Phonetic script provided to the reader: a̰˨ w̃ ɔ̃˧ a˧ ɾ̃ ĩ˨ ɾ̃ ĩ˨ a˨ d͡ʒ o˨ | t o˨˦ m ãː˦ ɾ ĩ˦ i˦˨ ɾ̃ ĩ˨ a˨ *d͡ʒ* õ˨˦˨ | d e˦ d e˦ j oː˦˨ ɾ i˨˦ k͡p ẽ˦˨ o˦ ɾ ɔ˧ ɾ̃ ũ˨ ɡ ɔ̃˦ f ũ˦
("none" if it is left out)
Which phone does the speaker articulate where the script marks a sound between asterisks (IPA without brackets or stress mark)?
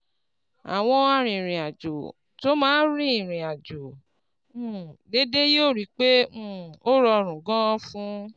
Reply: d͡ʒ